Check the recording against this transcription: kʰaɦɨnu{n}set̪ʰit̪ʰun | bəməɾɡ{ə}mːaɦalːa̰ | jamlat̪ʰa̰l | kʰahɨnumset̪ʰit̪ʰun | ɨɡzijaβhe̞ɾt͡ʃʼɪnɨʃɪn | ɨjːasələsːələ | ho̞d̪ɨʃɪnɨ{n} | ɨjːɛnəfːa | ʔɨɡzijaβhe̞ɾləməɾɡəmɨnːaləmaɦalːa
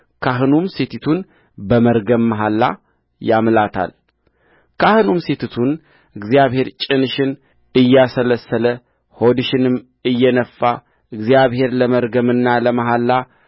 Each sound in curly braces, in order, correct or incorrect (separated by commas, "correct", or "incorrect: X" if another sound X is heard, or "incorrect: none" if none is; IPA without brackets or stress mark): incorrect: m, correct, incorrect: m